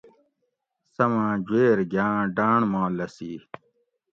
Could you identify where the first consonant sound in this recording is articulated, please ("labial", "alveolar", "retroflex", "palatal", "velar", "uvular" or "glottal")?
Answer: alveolar